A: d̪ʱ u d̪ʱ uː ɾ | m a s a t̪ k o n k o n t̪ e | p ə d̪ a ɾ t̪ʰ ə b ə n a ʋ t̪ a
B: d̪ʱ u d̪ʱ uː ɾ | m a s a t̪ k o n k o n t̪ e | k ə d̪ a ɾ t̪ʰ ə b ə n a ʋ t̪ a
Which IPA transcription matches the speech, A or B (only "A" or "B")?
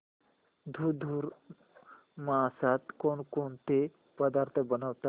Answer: A